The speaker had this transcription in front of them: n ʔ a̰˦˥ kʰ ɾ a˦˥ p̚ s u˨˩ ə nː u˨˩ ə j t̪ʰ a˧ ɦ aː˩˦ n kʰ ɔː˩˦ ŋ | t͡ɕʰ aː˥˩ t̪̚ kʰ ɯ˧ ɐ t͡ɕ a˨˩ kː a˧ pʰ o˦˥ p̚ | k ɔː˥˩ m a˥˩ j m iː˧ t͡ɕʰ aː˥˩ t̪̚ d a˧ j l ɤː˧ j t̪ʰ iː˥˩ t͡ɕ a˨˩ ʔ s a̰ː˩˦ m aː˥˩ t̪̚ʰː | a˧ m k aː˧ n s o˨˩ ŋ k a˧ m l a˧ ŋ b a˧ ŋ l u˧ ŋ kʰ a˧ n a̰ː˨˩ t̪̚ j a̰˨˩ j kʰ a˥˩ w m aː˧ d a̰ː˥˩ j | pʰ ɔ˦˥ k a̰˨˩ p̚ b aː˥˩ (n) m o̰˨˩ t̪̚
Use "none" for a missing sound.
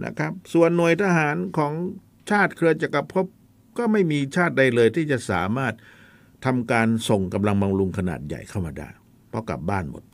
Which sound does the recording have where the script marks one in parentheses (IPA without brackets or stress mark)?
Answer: n